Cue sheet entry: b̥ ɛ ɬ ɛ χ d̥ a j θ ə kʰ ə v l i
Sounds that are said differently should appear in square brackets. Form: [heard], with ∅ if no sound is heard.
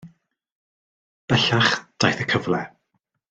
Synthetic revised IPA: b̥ ɛ ɬ [a] χ d̥ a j θ ə kʰ ə v l [ɛ]